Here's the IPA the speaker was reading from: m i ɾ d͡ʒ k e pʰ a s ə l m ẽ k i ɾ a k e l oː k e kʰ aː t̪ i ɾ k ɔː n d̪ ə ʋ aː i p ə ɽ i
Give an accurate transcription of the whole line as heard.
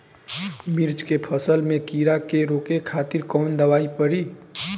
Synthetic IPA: m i ɾ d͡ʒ k e pʰ ə s ə l m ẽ k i ɾ a k e ɾ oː k e kʰ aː t̪ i ɾ k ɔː n d̪ ə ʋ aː i p ə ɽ i